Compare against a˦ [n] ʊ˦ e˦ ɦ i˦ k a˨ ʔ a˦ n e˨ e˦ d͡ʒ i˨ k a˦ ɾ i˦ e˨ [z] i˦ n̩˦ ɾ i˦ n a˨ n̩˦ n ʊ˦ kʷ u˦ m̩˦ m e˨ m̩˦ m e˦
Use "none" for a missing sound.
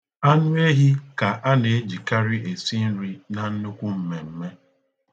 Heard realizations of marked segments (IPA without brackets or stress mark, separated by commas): n, s